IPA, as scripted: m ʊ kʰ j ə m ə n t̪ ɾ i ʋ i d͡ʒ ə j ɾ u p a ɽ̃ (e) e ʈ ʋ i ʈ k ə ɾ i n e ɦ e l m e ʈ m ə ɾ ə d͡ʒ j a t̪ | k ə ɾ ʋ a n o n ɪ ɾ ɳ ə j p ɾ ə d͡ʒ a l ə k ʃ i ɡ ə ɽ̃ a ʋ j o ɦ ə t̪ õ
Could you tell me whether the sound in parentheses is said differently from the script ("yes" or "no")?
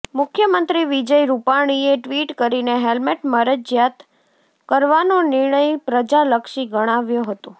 yes